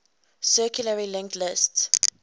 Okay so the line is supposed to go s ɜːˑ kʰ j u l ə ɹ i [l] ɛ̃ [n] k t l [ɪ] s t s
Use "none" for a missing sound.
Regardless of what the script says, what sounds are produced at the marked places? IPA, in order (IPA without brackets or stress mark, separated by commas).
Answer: l, ŋ, ɪ